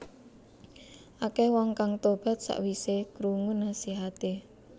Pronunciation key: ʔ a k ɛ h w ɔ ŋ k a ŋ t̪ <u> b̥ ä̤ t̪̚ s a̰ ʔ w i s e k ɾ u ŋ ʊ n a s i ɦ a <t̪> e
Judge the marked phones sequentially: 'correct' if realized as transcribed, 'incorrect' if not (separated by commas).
incorrect, correct